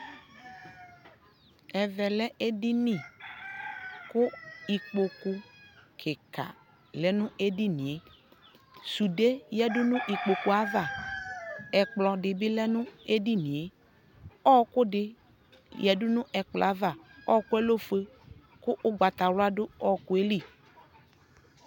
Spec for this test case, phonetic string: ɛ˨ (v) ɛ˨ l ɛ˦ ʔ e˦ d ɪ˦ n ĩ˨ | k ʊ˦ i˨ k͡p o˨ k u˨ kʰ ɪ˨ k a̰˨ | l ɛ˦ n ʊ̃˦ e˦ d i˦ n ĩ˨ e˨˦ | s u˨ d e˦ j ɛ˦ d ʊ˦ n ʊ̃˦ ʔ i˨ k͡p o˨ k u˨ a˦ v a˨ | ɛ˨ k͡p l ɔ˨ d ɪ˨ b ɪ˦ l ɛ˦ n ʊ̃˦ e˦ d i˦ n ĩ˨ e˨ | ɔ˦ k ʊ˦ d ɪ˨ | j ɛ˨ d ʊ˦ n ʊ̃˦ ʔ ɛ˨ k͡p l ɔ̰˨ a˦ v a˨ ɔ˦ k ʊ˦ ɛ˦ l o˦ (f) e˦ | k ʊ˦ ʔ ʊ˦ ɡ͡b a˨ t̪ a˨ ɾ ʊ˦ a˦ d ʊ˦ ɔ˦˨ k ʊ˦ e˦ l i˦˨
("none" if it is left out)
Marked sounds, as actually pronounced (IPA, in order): v, f

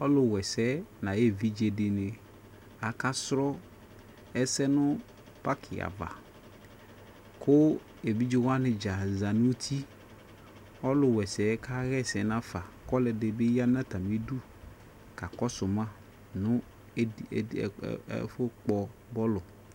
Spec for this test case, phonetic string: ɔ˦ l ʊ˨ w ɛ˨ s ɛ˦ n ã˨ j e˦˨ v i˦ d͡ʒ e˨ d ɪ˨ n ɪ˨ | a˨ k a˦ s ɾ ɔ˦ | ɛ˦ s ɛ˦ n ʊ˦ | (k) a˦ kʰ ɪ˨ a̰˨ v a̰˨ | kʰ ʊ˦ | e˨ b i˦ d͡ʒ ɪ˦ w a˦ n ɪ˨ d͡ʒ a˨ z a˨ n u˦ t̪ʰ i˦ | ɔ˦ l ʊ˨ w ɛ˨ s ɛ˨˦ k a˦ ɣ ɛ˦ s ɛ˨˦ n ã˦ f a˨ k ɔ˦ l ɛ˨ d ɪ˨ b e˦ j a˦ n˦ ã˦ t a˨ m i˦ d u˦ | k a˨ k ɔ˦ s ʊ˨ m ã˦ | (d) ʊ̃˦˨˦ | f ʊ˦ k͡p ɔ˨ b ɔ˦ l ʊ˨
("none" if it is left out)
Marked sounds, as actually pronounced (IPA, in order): p, n

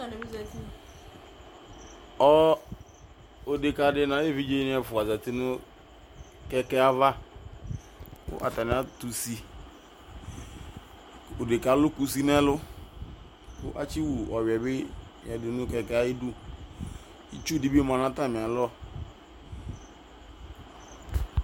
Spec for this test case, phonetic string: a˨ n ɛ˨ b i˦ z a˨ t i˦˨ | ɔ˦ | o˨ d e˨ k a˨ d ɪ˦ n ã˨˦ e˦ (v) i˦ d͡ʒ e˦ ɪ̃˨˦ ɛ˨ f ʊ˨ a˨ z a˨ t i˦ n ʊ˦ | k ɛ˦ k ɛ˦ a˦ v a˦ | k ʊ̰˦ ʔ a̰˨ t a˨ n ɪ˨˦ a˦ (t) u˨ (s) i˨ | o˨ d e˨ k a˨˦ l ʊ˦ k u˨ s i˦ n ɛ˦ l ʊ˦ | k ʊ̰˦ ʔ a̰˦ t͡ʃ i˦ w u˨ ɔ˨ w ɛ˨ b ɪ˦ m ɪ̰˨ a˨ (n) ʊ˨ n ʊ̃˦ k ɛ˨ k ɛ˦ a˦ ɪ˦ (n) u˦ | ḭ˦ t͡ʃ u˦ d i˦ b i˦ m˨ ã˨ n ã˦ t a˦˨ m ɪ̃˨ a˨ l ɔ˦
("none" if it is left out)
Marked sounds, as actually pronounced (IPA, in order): v, t, s, d, d

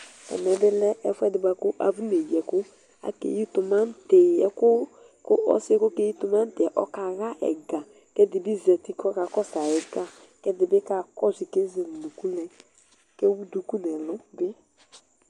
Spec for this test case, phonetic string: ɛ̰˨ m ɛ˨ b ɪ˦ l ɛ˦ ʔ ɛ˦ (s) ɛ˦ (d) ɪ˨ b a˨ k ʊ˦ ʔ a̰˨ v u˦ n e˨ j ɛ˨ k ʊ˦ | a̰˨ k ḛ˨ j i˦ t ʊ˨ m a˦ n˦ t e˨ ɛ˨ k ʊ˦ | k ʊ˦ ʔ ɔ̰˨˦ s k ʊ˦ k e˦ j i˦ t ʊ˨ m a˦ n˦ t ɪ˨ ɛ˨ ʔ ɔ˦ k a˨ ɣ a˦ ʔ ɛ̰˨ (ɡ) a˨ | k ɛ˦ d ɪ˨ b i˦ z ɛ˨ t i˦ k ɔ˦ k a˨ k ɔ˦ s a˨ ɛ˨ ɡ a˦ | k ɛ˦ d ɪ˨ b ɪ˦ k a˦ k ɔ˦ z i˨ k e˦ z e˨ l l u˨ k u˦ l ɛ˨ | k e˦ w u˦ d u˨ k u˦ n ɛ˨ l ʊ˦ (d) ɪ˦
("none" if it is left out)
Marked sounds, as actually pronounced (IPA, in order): f, d, ɡ, b

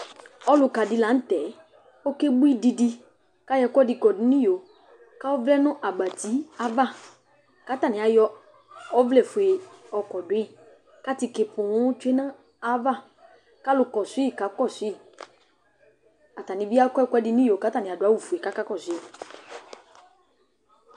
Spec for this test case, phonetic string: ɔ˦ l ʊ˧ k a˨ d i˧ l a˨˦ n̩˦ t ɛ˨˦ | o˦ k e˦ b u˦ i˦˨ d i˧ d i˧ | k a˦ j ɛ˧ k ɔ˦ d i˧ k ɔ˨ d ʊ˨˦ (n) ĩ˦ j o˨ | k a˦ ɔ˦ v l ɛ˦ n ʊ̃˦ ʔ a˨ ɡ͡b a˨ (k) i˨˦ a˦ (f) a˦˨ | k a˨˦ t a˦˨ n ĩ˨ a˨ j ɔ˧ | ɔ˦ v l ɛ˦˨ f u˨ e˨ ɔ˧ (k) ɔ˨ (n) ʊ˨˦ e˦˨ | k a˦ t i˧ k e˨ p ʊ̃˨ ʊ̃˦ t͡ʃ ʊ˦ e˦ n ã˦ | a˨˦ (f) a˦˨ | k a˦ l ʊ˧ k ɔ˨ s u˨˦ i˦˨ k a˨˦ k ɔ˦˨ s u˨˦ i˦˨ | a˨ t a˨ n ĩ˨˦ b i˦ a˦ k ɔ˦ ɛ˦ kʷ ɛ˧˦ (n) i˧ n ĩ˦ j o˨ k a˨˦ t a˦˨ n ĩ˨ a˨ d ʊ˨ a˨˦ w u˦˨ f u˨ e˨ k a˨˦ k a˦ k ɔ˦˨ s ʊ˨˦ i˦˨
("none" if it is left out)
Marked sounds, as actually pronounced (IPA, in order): n, t, v, k, d, v, d

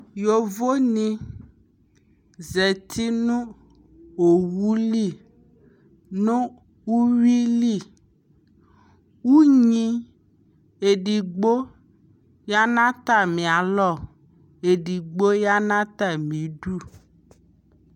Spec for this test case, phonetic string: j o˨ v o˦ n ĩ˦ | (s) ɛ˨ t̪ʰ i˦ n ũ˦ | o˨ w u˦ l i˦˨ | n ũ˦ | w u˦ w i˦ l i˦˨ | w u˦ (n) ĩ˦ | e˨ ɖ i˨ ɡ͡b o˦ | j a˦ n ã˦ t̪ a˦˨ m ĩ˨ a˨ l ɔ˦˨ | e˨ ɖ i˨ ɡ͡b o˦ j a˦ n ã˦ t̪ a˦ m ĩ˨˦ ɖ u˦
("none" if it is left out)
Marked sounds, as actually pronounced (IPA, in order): z, ɲ

